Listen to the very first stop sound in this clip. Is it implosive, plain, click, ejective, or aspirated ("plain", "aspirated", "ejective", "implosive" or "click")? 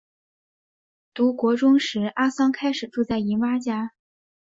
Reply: plain